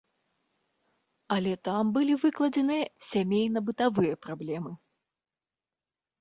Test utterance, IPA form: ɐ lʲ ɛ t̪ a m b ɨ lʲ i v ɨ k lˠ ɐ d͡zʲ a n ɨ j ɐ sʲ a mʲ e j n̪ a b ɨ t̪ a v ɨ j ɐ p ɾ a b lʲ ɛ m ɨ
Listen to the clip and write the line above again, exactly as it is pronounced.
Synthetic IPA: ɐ lʲ ɛ t̪ a m b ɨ lʲ i v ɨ k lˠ ɐ d͡zʲ ɛ n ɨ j ɐ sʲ a mʲ e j n̪ ɐ b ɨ t̪ a v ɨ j ɐ p ɾ a b lʲ ɛ m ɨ